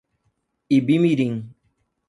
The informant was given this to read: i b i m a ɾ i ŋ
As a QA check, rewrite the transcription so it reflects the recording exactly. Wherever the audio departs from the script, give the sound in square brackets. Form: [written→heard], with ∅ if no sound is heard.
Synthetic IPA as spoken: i b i m [a→i] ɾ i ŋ